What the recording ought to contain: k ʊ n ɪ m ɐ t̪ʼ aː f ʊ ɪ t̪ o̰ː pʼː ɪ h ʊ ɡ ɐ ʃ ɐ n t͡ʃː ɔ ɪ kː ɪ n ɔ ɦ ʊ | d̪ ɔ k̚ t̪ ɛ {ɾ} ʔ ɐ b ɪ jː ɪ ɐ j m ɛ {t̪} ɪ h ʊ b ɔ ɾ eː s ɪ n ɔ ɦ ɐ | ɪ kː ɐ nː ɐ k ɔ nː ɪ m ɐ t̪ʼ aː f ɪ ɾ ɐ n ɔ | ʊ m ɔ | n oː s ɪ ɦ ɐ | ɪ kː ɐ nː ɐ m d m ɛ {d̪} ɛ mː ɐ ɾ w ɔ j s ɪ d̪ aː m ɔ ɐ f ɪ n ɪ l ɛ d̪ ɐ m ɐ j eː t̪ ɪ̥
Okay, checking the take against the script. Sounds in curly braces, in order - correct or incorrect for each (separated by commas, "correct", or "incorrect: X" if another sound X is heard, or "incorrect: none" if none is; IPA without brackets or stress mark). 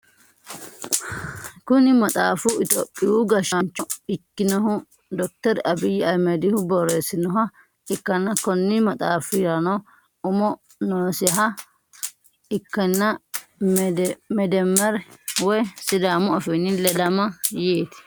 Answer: correct, incorrect: d̪, correct